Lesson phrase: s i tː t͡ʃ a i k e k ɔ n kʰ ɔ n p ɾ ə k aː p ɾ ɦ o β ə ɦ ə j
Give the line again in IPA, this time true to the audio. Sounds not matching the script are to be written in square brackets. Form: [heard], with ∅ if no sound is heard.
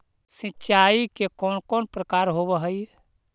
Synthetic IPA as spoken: s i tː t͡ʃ a i k e k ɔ n [k] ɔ n p ɾ ə k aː [∅] ɾ ɦ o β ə ɦ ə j

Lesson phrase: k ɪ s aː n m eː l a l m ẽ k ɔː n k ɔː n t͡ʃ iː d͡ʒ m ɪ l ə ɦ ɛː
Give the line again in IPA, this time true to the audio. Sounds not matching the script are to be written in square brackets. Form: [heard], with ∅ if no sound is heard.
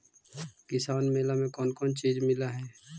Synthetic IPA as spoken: k ɪ s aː n m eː l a [∅] m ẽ k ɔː n k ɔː n t͡ʃ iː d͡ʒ m ɪ l [a] ɦ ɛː

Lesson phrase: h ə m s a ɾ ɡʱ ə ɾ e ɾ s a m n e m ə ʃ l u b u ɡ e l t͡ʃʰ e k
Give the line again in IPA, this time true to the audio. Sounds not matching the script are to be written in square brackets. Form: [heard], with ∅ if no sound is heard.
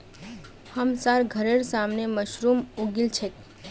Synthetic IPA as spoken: h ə m s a ɾ ɡʱ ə ɾ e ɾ s a m n e m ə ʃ [ɾ] u [m] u ɡ [i] l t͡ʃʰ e k

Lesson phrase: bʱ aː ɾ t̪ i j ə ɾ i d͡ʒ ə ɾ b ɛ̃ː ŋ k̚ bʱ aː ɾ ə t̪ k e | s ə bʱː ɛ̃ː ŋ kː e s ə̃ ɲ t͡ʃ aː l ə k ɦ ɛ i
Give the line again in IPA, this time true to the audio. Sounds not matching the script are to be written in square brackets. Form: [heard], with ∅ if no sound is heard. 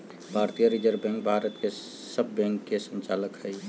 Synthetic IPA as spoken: bʱ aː ɾ t̪ i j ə ɾ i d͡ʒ ə ɾ b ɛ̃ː ŋ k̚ bʱ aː ɾ ə t̪ k e | s ə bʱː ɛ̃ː ŋ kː e s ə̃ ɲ t͡ʃ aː l ə k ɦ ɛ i

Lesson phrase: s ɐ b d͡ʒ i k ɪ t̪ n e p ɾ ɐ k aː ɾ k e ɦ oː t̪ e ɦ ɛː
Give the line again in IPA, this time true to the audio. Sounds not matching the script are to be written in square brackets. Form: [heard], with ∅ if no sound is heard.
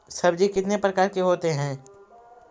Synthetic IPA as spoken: s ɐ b d͡ʒ i k ɪ t̪ n e p ɾ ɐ k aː ɾ k e ɦ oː t̪ e ɦ [ɛ̃ː]

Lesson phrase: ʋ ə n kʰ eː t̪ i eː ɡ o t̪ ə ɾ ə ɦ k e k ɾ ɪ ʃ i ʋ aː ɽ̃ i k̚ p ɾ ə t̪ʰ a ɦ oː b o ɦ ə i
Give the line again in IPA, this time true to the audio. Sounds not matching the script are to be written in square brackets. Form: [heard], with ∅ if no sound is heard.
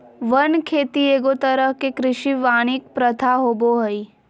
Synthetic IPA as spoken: ʋ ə n kʰ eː t̪ i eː ɡ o t̪ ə ɾ ə ɦ k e k ɾ ɪ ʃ i ʋ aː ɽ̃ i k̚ p ɾ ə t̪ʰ a ɦ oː b o ɦ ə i

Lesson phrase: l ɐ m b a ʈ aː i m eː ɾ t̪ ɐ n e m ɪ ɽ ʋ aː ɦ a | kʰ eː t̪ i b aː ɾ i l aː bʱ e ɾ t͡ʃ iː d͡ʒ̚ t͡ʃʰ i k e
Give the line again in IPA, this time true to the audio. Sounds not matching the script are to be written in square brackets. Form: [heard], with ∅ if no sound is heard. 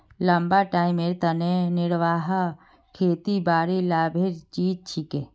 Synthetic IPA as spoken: l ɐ m b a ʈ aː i m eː ɾ t̪ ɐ n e [n] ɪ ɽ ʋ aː ɦ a | kʰ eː t̪ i b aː ɾ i l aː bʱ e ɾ t͡ʃ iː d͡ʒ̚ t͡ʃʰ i k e

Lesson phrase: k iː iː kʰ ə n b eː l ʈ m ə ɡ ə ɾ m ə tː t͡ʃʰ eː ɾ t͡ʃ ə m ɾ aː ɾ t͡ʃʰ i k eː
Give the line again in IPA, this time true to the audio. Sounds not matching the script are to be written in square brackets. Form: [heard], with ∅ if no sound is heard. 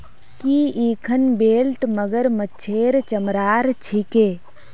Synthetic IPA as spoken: k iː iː kʰ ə n b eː l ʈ m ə ɡ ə ɾ m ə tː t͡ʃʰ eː ɾ t͡ʃ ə m ɾ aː ɾ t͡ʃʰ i k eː

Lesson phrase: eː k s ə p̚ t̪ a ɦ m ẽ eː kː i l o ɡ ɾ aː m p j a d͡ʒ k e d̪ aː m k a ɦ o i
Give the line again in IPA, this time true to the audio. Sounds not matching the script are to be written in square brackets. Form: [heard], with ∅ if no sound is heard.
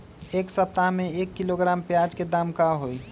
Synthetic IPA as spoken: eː k s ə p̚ t̪ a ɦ m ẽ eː kː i l o ɡ ɾ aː m p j a d͡ʒ k e d̪ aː m k a ɦ o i

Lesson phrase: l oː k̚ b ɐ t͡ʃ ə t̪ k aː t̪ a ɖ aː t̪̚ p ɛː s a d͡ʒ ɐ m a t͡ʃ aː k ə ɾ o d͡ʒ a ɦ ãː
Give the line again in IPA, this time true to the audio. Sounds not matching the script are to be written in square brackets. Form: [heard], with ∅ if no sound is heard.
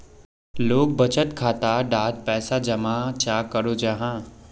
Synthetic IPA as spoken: l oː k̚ b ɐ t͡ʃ ə t̪ [kʰ] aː t̪ a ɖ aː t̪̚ p ɛː s a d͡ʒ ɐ m a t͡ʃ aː k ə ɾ o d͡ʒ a ɦ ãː

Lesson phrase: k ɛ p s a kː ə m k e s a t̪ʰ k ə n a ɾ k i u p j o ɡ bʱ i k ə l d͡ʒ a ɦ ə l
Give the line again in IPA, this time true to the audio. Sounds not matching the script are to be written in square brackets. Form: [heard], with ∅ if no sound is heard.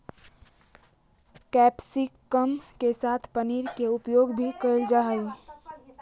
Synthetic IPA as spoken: k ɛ p s [i] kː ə m k e s a t̪ʰ [p] ə n [i] ɾ k [e] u p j o ɡ bʱ i k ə l d͡ʒ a ɦ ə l

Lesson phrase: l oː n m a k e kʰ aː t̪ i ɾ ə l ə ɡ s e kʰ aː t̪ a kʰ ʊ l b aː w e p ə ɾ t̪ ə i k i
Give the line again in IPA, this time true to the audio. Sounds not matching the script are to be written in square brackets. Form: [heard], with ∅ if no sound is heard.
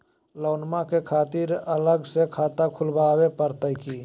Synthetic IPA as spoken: l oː n m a k e kʰ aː t̪ i ɾ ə l ə ɡ s e kʰ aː t̪ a kʰ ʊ l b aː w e p ə ɾ t̪ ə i k i

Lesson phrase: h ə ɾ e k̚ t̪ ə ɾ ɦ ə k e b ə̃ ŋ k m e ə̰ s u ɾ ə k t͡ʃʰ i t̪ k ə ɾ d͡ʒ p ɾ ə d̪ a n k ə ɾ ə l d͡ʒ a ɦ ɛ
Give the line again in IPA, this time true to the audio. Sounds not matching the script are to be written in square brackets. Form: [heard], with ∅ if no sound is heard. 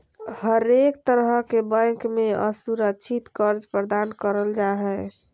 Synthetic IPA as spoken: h ə ɾ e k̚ t̪ ə ɾ ɦ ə k e b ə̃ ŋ k m e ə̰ s u ɾ ə k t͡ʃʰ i t̪ k ə ɾ d͡ʒ p ɾ ə d̪ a n k ə ɾ ə l d͡ʒ a ɦ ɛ

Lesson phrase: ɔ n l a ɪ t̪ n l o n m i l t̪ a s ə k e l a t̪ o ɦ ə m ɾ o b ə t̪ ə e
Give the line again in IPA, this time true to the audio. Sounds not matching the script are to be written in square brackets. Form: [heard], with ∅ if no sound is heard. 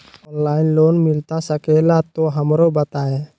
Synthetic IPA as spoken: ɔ n l a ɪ [∅] n l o n m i l t̪ a s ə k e l a t̪ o ɦ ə m ɾ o b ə t̪ [a] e

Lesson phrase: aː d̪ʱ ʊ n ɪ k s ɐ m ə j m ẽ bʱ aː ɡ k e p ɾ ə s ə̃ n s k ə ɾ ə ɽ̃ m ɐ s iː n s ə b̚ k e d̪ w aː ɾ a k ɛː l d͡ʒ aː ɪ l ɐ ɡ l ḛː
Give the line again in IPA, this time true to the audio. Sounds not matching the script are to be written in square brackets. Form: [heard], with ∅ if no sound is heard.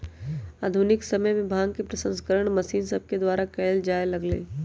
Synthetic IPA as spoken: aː d̪ʱ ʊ n ɪ k s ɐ m ə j m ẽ bʱ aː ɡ k e p ɾ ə s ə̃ n s k ə ɾ ə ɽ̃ m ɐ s iː n s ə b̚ k e d̪ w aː ɾ a k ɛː l d͡ʒ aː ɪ l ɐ ɡ l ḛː

